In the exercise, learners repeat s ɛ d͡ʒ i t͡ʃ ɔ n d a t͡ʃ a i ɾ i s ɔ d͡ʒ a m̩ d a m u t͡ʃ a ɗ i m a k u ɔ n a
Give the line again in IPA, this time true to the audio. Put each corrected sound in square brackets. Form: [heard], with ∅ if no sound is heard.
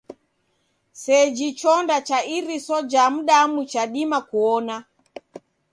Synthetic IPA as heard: s ɛ d͡ʒ i t͡ʃ ɔ n d a t͡ʃ a i ɾ i s ɔ d͡ʒ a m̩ [ɗ] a m u t͡ʃ a ɗ i m a k u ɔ n a